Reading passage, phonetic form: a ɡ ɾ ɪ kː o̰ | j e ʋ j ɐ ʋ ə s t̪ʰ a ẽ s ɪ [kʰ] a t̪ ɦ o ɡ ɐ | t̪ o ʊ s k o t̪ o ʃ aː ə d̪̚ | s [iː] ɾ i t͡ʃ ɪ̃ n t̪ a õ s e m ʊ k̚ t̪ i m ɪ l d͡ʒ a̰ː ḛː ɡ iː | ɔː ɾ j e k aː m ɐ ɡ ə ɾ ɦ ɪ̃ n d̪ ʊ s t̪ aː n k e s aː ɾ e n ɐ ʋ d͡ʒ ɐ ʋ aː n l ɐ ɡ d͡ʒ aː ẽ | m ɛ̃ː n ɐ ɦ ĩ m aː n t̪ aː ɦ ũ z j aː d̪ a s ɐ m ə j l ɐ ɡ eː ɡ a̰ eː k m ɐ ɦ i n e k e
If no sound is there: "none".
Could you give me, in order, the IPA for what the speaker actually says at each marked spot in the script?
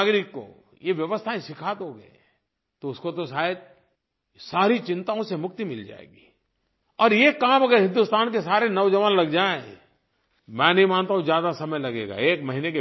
kʰ, aː

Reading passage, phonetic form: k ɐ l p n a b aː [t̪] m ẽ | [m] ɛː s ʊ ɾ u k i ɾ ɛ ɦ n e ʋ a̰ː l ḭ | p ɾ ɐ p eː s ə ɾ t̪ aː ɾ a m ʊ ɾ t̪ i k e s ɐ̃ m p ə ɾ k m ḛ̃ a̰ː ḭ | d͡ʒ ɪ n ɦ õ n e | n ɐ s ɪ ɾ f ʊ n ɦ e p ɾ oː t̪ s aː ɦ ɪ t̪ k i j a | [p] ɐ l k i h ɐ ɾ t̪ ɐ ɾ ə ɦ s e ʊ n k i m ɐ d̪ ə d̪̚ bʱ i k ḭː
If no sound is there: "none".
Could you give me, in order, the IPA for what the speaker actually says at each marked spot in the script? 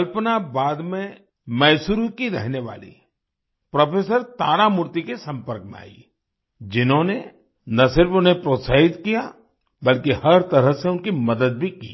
d̪, m, b

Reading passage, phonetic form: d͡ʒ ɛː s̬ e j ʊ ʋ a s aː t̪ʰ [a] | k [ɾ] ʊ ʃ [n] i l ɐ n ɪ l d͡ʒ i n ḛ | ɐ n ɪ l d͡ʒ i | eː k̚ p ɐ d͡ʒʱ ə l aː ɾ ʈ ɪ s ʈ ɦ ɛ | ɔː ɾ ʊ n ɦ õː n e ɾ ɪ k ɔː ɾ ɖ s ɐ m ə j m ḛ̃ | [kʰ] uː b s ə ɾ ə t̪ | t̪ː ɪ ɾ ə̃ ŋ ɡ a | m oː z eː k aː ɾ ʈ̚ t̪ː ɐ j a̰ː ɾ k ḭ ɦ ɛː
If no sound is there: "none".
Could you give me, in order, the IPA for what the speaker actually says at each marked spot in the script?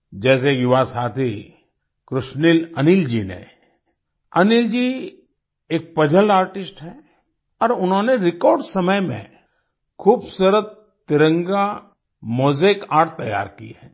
i, ɾ, n, kʰ

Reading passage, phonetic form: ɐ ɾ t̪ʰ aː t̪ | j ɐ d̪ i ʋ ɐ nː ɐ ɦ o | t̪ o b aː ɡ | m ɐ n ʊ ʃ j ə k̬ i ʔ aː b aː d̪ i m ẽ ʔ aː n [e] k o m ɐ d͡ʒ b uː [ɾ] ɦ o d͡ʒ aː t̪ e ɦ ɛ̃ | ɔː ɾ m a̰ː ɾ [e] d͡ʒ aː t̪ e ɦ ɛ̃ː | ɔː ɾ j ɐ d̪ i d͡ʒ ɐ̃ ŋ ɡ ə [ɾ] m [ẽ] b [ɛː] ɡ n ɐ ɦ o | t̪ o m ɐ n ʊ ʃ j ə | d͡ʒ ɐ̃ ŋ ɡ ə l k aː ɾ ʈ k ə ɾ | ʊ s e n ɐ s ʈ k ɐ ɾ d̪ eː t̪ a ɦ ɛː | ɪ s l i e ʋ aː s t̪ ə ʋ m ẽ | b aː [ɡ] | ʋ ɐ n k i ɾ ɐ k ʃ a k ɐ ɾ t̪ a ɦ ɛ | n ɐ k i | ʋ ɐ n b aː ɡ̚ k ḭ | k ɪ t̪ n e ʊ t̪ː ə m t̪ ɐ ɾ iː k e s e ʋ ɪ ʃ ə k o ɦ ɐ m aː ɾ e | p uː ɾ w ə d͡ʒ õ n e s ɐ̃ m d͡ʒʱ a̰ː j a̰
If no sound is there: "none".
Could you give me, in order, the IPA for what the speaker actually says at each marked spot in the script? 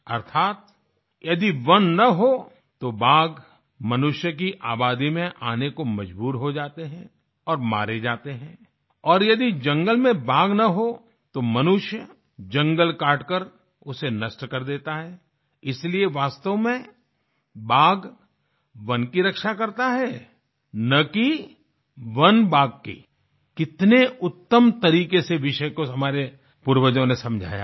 e, ɾ, e, l, ẽ, aː, ɡ

